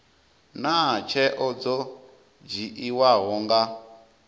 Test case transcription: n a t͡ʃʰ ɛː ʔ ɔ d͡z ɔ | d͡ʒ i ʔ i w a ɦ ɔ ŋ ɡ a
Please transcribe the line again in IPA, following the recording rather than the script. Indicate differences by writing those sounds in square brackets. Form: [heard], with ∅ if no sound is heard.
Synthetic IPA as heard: n a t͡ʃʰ [ɛ] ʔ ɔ d͡z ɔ | d͡ʒ i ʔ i w a ɦ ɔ ŋ ɡ a